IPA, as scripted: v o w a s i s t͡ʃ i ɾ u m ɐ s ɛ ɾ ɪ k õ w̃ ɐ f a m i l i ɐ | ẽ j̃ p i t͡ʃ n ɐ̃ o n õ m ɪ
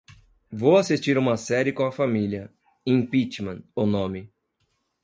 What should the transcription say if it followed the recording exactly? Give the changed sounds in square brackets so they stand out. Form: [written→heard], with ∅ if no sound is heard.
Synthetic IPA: v o w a s i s t͡ʃ i ɾ [u→ũ] m ɐ s ɛ ɾ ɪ k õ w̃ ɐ f a m i l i ɐ | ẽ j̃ p i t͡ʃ [n→m] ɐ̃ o n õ m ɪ